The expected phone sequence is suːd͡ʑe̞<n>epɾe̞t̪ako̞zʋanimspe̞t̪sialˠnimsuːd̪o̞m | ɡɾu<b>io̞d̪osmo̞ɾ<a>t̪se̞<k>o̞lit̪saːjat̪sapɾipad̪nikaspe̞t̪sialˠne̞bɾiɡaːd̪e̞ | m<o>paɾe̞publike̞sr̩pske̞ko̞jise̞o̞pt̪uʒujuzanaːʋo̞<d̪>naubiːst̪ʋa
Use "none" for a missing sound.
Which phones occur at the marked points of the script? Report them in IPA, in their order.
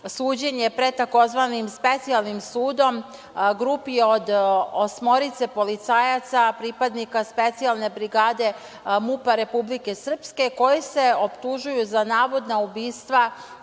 ɲ, p, i, p, u, d̪

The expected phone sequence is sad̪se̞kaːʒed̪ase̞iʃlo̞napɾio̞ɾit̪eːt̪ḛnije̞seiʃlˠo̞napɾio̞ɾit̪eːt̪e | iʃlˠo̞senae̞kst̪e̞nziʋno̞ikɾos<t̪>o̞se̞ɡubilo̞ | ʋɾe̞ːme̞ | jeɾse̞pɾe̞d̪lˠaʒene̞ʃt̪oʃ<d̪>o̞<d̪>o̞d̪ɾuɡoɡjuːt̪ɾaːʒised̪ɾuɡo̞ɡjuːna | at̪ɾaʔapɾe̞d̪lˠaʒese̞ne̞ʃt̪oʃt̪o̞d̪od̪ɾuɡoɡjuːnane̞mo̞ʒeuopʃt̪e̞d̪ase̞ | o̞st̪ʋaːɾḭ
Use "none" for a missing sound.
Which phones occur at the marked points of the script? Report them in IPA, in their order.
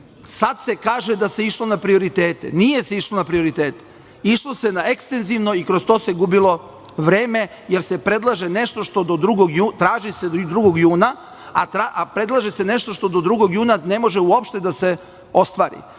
t̪, t̪, d̪

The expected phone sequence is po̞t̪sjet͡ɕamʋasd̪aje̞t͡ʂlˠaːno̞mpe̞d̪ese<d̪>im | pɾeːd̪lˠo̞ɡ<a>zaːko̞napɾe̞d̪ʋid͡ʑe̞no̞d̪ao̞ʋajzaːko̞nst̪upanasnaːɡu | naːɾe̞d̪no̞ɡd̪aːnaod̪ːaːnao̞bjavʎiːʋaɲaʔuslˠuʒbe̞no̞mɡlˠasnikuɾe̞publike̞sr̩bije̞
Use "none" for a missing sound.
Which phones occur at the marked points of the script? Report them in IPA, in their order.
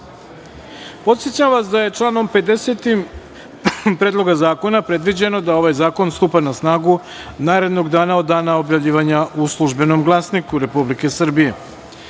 t̪, a

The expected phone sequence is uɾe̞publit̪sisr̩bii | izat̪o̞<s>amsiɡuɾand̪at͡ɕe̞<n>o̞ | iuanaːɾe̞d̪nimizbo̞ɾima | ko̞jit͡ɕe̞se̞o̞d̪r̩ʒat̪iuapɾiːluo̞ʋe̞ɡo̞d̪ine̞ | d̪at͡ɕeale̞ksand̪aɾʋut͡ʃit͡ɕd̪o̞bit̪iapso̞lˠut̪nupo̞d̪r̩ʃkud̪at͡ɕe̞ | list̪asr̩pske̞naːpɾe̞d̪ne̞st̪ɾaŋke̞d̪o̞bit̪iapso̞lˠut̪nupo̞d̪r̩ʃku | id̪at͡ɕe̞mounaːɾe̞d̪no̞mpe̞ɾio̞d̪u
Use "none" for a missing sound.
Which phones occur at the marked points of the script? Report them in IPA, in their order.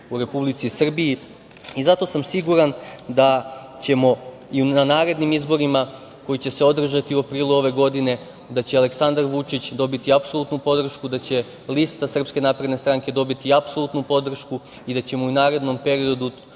s, m

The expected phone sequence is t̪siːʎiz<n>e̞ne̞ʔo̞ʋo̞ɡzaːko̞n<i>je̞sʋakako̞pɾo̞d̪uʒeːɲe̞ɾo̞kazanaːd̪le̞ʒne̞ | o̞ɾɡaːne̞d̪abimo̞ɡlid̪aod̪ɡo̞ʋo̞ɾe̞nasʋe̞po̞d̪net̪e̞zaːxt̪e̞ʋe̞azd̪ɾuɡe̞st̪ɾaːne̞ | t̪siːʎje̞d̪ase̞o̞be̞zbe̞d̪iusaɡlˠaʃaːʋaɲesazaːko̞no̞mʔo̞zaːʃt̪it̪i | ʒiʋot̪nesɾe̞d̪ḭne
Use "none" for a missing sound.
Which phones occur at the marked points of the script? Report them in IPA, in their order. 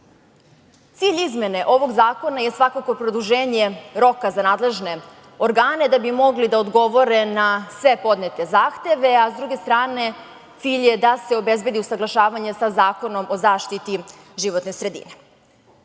m, a

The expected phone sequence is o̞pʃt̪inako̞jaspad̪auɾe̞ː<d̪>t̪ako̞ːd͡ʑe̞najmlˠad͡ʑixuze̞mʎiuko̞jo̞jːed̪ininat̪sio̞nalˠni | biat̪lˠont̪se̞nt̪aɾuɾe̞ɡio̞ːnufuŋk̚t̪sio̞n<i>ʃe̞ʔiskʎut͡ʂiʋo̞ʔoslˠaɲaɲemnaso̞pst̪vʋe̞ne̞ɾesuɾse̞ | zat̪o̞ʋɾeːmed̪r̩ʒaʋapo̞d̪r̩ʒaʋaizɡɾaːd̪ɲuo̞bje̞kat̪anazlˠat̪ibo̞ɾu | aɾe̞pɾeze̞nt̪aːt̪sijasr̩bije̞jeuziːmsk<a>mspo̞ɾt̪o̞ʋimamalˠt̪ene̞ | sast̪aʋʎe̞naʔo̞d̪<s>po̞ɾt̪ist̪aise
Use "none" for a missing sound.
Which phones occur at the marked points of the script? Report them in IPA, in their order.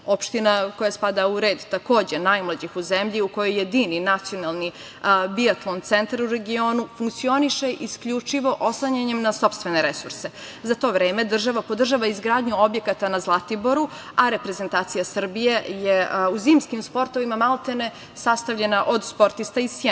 d̪, i, i, s

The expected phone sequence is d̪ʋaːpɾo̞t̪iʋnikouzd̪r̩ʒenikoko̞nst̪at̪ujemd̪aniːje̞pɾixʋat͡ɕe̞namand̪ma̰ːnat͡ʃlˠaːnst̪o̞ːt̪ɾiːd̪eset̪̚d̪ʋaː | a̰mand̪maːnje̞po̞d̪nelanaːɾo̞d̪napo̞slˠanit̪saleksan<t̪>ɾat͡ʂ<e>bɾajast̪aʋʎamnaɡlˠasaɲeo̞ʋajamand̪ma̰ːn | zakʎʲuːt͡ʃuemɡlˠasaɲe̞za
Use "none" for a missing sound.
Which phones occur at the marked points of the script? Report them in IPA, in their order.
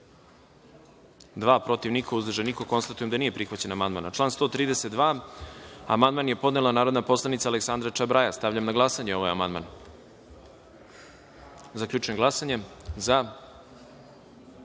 d̪, a

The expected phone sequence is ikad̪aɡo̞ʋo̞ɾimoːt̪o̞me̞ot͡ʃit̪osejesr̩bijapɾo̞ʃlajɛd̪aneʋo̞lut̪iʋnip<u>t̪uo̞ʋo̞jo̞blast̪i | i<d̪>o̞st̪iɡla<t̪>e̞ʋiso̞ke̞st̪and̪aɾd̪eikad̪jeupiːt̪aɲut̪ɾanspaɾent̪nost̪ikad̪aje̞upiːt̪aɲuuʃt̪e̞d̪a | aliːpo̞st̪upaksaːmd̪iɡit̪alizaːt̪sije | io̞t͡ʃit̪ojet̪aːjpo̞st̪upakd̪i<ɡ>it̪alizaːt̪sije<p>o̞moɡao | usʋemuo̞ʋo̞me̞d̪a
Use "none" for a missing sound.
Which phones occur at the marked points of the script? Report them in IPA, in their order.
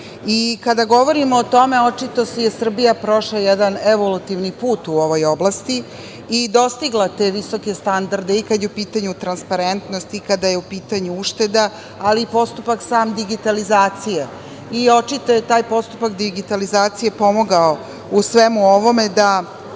uː, d̪, t̪, ɡ, p

